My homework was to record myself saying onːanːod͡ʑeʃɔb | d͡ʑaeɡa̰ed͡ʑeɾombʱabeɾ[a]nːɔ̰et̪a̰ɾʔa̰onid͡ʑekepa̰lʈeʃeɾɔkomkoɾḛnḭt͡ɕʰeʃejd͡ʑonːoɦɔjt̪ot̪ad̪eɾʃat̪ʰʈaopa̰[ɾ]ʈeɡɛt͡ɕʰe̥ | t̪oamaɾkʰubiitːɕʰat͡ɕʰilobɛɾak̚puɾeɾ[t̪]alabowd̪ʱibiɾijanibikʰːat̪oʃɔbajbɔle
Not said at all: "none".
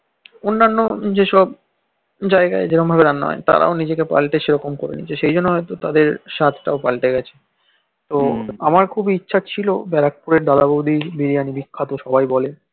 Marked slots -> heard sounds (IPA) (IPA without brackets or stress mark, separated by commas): a, l, d̪